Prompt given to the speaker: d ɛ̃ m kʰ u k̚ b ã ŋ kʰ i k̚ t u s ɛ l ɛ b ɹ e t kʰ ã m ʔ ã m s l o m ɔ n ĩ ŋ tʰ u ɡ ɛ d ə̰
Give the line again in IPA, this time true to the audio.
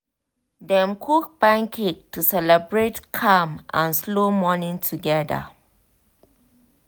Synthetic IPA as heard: d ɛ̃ m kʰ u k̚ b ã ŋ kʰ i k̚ t u s ɛ l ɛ b ɹ e t kʰ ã m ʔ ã n s l o m ɔ n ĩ ŋ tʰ u ɡ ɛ d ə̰